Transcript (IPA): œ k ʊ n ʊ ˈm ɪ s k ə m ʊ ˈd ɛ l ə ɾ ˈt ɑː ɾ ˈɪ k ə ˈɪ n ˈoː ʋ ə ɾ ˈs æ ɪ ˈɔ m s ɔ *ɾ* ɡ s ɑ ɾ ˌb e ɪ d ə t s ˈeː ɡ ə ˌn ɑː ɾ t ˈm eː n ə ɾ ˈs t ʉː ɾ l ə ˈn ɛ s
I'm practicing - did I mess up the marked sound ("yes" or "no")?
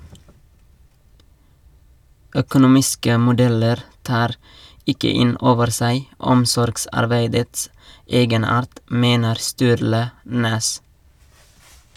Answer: no